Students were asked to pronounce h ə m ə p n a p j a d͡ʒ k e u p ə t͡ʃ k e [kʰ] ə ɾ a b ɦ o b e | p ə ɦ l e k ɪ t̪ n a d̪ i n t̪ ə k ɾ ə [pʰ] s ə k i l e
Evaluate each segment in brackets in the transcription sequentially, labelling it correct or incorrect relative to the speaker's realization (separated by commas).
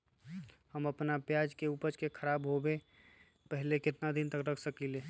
correct, incorrect